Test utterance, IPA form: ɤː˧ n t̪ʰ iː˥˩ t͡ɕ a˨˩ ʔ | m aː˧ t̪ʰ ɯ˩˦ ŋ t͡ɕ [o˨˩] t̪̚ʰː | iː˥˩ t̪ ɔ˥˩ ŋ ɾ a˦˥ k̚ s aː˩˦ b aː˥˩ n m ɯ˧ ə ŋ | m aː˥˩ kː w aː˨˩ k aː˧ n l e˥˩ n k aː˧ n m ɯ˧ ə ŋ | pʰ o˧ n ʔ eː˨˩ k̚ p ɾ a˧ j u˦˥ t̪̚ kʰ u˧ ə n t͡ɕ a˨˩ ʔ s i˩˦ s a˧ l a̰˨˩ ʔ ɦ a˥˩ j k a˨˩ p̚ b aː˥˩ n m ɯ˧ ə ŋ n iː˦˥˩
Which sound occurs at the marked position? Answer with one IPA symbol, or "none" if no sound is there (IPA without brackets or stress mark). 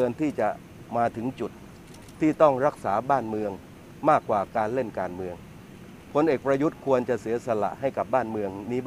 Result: u˨˩